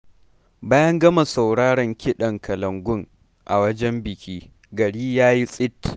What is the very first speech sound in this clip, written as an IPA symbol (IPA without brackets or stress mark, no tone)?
b